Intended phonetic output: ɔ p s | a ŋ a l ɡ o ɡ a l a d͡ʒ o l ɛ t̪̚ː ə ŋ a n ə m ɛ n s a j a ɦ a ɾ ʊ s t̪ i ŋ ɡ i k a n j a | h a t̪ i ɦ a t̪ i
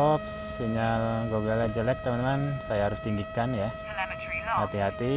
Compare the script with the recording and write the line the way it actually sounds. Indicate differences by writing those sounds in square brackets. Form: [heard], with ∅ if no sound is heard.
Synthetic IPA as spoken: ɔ p s | [i] ŋ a l ɡ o ɡ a l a d͡ʒ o l ɛ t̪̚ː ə [m] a n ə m [a] n s a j a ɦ a ɾ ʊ s t̪ i ŋ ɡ i k a n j a | h a t̪ i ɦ a t̪ i